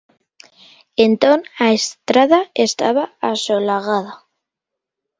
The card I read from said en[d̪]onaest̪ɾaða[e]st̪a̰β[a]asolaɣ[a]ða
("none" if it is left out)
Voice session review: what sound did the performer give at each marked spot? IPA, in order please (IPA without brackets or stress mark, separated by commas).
t̪, e, a, a